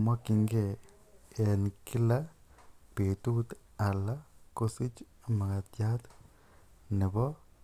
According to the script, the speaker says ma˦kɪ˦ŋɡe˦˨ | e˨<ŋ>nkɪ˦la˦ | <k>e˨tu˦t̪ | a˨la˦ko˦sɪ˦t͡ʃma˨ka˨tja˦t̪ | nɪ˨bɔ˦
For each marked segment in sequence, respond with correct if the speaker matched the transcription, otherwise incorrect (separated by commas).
incorrect, incorrect